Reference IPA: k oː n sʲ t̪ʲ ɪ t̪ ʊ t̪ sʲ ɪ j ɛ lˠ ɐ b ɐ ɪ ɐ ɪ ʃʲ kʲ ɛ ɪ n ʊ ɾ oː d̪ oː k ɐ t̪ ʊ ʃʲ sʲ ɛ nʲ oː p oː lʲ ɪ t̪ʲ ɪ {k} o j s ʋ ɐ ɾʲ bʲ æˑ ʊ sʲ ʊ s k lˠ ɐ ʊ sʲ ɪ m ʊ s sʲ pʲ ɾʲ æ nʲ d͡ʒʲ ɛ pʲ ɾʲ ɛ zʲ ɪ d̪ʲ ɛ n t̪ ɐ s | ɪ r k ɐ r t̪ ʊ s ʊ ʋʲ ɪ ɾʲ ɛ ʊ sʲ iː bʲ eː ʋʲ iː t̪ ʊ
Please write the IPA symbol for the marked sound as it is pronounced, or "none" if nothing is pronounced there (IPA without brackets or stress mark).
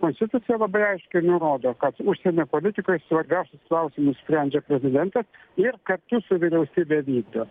k